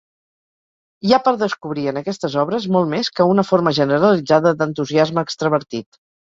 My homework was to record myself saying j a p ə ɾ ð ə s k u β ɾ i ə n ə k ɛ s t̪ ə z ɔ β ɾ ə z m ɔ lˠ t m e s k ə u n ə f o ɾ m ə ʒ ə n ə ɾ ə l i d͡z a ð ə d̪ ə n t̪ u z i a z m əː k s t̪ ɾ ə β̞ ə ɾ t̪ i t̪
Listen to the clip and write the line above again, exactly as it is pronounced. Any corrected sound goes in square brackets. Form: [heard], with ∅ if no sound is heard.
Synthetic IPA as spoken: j a p ə ɾ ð ə s k u β ɾ i ə n ə k ɛ s t̪ ə z ɔ β ɾ ə z m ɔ lˠ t m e s k ə u n ə f o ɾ m ə ʒ ə n ə ɾ ə l i d͡z a ð ə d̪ ə n t̪ u z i a z m əː k s t̪ ɾ ə β̞ ə ɾ t̪ i t̪